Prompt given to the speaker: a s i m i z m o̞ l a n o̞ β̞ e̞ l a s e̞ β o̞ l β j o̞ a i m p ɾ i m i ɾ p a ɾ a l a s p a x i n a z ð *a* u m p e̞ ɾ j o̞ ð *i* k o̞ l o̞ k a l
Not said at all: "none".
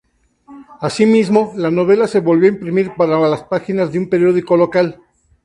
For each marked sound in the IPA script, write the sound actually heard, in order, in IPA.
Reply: e, i

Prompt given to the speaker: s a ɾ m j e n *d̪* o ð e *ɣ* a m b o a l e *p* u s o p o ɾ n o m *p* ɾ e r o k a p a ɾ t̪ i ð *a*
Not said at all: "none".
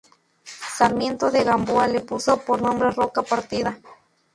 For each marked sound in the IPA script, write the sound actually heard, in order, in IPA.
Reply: t̪, ɣ, p, b, a

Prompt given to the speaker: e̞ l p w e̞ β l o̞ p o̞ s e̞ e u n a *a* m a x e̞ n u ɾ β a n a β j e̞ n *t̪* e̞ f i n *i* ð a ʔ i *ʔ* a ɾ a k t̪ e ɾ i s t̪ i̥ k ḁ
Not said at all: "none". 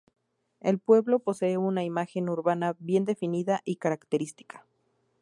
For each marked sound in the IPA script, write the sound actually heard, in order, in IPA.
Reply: i, d̪, i, k

